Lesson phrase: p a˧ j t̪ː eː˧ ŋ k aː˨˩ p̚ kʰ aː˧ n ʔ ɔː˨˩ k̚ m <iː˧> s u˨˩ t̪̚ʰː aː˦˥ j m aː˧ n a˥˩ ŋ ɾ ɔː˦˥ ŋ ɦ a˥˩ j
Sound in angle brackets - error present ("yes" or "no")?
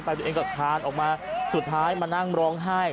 yes